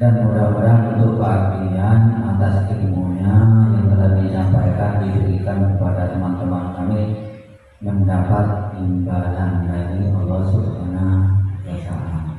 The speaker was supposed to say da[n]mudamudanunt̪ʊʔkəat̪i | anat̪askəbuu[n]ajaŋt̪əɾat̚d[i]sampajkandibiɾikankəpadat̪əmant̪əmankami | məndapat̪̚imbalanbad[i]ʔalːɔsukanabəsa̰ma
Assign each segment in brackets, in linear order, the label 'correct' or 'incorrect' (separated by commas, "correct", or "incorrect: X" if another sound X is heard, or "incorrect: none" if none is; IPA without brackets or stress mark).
correct, incorrect: ɲ, correct, correct